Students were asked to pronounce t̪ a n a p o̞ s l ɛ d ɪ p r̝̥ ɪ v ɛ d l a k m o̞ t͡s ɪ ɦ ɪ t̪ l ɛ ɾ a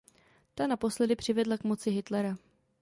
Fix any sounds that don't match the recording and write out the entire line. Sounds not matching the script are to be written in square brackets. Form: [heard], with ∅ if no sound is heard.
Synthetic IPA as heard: t̪ a n a p o̞ s l ɛ d ɪ p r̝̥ ɪ v ɛ d l a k m o̞ t͡s ɪ ɦ ɪ t̪ l ɛ ɾ a